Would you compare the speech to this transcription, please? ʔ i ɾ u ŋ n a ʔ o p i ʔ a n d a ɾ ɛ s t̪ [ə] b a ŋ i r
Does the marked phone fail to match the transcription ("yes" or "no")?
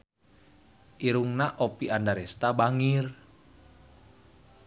yes